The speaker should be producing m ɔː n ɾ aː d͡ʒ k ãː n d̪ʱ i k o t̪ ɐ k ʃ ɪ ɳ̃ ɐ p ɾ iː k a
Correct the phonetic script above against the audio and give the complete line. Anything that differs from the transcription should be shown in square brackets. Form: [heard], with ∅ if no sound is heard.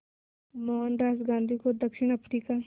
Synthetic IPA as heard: m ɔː n ɾ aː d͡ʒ [ɡ] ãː n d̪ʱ i k o [d̪] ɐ k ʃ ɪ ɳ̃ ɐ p ɾ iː k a